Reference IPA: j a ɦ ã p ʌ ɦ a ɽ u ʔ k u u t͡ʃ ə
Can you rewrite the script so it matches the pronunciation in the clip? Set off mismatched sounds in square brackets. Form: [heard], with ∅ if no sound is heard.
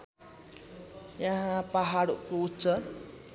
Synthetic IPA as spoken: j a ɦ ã p [a] ɦ a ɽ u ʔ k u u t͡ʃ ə